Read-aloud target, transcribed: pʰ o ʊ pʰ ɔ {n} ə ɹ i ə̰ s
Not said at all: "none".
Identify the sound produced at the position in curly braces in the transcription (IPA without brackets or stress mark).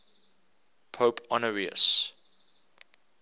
n